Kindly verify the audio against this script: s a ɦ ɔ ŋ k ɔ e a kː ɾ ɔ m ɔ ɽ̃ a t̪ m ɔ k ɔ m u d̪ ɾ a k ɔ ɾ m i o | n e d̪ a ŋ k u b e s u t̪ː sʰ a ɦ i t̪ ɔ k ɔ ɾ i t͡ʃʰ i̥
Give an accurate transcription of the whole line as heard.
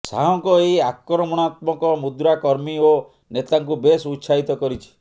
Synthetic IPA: s a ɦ ɔ ŋ k ɔ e a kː ɾ ɔ m ɔ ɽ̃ a t̪ m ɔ k ɔ m u d̪ ɾ a k ɔ ɾ m i o | n e t̪ a ŋ k u b e s u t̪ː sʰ a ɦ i t̪ ɔ k ɔ ɾ i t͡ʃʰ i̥